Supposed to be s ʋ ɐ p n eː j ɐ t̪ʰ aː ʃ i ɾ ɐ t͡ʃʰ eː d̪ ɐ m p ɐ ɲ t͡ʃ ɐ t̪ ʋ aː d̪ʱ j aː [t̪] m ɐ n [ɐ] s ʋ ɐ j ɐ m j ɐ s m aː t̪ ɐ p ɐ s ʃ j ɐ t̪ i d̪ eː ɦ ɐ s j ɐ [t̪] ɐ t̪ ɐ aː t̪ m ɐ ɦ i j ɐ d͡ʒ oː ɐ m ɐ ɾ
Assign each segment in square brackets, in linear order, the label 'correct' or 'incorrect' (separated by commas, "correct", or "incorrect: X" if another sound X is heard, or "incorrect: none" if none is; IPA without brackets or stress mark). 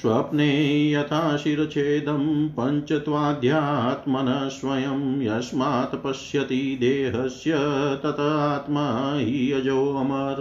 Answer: correct, correct, correct